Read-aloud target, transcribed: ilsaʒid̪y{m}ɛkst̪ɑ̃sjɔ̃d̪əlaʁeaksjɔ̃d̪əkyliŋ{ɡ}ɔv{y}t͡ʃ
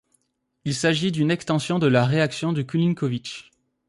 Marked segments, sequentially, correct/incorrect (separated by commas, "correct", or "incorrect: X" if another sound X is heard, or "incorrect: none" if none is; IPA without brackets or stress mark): incorrect: n, incorrect: k, incorrect: i